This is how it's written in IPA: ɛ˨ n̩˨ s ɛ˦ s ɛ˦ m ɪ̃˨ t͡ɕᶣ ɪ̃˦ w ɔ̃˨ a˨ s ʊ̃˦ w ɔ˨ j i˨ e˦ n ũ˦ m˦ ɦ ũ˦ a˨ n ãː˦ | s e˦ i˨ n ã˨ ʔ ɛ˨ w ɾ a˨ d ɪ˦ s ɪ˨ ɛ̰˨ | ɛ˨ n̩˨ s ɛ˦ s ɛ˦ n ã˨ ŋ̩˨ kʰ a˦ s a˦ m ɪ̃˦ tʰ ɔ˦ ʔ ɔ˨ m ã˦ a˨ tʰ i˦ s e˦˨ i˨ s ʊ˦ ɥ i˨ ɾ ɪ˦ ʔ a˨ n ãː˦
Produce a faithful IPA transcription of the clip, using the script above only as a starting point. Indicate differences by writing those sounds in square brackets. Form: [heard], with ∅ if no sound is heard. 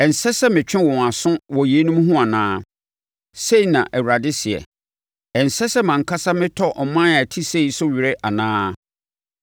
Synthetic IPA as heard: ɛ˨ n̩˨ s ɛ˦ s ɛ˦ m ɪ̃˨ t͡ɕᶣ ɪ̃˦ w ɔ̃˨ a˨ s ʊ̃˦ w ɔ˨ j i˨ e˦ n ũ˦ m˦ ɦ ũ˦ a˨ n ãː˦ | s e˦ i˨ n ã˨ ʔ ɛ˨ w ɾ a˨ d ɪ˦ s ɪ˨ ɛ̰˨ | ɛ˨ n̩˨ s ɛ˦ s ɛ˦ [m] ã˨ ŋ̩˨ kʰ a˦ s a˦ m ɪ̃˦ tʰ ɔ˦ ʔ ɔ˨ m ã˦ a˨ tʰ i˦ s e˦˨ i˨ s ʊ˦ ɥ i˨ ɾ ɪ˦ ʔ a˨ n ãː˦